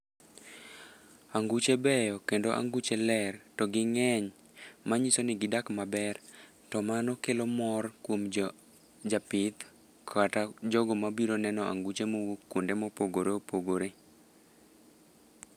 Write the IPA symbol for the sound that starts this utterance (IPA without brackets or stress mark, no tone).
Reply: a